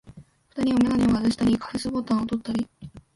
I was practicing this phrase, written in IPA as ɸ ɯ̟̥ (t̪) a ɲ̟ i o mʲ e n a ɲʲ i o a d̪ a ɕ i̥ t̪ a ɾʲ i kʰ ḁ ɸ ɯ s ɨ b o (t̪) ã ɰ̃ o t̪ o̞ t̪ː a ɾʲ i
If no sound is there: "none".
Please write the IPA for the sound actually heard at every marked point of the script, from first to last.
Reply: t̪, t̪

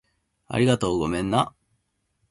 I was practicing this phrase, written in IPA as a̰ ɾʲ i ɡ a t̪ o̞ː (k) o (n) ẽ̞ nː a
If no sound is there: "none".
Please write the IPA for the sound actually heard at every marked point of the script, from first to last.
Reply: ɡ, m

